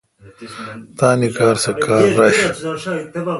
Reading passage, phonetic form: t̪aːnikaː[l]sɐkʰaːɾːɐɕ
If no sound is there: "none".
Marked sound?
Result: ɾ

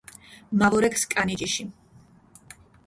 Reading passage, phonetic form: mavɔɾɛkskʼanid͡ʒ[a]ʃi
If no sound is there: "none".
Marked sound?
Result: i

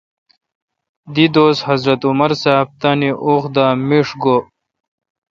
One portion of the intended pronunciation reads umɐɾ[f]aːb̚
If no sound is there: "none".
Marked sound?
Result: s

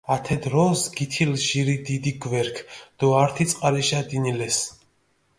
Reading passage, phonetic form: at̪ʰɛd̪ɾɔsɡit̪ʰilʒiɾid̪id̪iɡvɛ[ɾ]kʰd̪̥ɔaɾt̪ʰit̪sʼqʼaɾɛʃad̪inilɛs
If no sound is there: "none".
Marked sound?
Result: ɾ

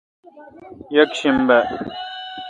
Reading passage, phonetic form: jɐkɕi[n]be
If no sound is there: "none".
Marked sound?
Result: m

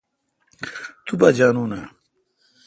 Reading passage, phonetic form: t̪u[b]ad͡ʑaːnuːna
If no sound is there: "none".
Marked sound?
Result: b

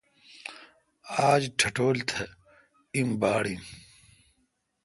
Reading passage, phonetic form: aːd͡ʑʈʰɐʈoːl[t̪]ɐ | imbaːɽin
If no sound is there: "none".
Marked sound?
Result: t̪ʰ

